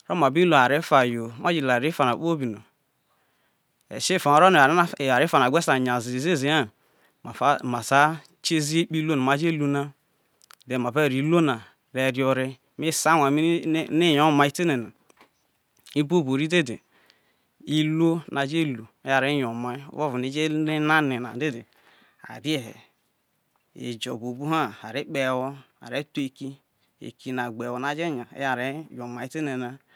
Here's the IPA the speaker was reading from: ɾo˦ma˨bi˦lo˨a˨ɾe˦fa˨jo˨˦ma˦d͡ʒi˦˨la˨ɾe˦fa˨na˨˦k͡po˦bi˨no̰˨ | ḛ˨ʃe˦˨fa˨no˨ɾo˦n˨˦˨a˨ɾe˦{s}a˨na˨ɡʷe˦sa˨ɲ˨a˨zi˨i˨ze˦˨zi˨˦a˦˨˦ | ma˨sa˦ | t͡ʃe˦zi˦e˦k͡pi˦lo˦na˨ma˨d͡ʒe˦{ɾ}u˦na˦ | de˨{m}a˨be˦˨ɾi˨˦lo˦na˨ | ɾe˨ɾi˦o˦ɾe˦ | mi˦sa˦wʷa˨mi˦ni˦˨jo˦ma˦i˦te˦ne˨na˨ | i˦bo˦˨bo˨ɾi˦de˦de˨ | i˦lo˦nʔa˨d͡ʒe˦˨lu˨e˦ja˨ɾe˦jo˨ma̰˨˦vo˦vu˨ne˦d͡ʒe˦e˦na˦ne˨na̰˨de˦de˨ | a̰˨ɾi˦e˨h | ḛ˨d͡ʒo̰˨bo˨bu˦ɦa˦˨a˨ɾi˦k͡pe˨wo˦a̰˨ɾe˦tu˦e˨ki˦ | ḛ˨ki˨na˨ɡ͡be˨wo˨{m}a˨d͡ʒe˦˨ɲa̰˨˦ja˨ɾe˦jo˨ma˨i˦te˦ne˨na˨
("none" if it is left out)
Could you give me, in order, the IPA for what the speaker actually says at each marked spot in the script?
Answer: f, l, m, n

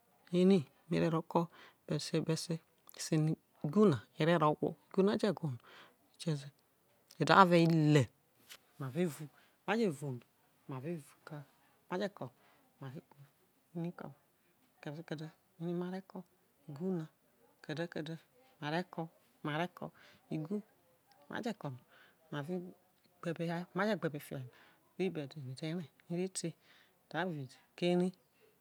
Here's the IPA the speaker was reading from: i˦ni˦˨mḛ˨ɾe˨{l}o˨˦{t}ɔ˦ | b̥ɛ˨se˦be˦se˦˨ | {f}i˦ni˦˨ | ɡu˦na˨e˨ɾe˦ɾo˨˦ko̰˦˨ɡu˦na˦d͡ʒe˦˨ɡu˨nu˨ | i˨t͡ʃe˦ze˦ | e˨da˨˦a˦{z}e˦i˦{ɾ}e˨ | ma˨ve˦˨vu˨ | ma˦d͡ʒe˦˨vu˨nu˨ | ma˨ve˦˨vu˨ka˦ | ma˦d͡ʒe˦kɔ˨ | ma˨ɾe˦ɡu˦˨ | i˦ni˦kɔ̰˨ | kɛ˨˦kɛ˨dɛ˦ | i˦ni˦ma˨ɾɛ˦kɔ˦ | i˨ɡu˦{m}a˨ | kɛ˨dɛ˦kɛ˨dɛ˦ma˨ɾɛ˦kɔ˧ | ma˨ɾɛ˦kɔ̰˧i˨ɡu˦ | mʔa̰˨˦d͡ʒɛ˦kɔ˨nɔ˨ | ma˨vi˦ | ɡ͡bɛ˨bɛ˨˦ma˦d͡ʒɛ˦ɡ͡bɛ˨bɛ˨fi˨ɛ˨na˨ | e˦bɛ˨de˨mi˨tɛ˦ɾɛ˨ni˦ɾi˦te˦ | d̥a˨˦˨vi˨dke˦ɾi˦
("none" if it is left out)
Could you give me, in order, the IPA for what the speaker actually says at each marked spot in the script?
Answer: ɾ, k, s, v, l, n

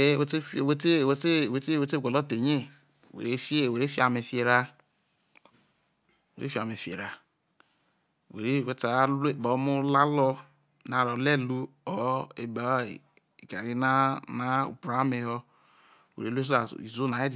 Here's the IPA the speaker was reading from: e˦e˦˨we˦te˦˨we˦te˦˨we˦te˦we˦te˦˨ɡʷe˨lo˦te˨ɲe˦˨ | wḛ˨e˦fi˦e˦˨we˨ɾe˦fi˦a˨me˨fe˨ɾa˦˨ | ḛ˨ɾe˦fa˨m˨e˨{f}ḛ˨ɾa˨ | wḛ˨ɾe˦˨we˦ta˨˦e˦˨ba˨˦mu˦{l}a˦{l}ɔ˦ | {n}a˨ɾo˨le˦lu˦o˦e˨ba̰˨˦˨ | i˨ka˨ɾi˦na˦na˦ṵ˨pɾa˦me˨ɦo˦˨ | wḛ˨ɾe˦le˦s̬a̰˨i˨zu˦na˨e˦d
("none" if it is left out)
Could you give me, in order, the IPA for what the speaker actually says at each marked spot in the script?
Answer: f, l, l, n

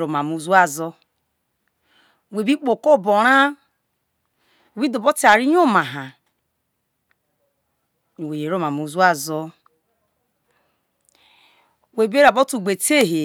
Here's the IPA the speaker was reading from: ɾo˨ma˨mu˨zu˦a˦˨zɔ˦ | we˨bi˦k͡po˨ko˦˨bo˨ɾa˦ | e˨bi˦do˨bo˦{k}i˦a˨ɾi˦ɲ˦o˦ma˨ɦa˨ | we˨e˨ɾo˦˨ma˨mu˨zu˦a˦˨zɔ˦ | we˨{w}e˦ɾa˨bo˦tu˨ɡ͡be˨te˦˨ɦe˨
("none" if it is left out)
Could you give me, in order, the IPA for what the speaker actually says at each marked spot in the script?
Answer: t, b

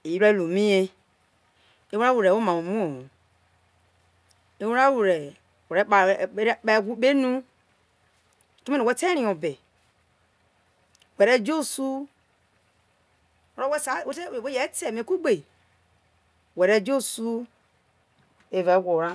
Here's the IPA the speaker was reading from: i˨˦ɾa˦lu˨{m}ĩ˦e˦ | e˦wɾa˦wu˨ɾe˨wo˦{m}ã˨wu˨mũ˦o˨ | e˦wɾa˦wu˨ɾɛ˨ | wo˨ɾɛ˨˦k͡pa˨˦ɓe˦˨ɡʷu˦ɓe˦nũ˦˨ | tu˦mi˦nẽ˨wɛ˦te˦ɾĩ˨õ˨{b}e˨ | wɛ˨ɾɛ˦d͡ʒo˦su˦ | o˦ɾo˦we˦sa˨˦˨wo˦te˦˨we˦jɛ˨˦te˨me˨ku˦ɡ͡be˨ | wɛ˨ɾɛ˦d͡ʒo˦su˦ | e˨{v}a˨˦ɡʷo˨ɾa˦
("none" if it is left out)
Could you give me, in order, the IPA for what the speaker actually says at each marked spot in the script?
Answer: m, m, b, v

